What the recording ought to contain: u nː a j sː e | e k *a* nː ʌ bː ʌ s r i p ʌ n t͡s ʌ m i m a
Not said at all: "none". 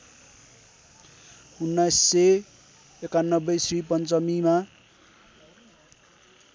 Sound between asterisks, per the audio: a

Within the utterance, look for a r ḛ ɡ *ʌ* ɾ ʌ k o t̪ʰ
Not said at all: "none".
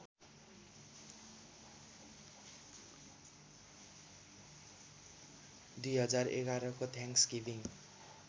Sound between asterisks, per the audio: a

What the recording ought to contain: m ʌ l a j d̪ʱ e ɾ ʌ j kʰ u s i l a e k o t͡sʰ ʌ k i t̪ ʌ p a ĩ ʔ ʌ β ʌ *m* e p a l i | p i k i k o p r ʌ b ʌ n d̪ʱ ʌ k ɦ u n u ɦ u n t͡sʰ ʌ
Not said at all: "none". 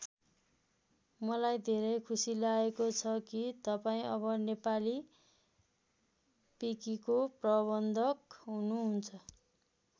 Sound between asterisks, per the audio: n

